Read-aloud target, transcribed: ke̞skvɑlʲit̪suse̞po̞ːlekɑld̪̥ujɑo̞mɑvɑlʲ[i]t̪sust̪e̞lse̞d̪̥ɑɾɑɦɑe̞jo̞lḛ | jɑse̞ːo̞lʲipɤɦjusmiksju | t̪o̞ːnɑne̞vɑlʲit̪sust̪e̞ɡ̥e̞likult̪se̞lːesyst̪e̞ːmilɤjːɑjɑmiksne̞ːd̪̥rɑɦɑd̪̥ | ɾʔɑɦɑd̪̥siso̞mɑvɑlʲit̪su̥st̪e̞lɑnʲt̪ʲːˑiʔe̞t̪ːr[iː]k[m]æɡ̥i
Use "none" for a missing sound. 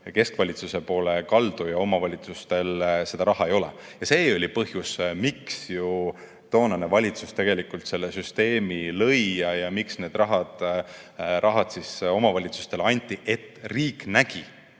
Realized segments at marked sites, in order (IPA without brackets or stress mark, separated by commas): i, iː, n